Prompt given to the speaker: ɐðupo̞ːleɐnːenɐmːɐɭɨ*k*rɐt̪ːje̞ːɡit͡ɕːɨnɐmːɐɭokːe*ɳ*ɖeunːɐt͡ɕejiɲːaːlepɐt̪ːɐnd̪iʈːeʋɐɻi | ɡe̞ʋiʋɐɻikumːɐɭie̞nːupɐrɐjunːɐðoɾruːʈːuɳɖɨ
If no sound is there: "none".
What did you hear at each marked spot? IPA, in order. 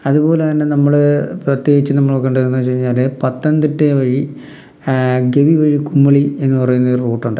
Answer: p, ɳ

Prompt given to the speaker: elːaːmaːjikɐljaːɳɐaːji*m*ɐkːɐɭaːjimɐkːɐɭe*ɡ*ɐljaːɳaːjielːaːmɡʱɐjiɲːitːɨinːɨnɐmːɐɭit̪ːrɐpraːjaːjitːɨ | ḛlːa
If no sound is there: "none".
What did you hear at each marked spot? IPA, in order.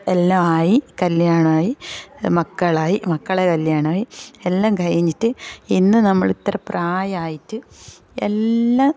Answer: m, k

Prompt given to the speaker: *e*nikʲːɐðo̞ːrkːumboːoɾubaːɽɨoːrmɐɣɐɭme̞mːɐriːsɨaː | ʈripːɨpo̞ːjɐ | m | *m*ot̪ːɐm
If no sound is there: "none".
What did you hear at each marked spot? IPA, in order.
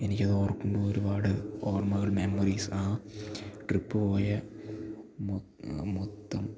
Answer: e, m

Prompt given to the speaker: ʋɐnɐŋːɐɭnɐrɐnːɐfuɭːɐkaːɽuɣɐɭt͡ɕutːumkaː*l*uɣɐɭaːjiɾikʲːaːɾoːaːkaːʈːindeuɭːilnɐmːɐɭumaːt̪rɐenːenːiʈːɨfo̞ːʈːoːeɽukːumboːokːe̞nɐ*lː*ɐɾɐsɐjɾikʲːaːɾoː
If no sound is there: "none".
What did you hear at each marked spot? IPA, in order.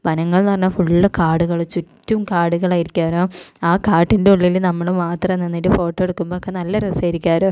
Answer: ɽ, lː

